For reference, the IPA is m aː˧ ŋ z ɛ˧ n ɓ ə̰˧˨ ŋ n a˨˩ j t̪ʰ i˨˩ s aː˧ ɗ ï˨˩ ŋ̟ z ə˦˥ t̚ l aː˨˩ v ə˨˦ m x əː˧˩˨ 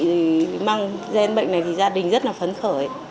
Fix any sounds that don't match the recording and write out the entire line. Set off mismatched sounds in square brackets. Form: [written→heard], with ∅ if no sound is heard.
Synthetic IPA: m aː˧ ŋ z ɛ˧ n ɓ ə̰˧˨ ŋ n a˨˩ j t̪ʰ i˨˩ [s→z] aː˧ ɗ ï˨˩ ŋ̟ z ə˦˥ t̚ l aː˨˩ [v→f] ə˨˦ [m→n] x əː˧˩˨